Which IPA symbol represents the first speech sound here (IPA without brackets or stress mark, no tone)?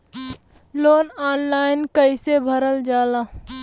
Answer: l